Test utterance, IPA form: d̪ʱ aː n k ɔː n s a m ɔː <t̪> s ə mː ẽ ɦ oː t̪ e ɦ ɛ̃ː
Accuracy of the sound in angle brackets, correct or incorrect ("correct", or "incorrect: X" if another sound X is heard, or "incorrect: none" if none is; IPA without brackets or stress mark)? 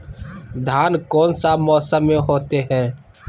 incorrect: none